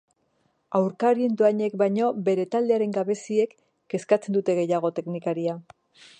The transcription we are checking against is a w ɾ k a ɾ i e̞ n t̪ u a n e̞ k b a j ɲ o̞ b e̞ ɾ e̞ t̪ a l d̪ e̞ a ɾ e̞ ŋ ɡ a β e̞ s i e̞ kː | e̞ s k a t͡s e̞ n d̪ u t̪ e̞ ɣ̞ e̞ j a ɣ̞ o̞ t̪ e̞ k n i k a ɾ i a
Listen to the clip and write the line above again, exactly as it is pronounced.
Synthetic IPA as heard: a w ɾ k a ɾ i e̞ n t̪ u a ɲ e̞ k b a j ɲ o̞ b e̞ ɾ e̞ t̪ a l d̪ e̞ a ɾ e̞ ŋ ɡ a β e̞ s i e̞ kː | e̞ s k a t͡s e̞ n d̪ u t̪ e̞ ɣ̞ e̞ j a ɣ̞ o̞ t̪ e̞ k n i k a ɾ i a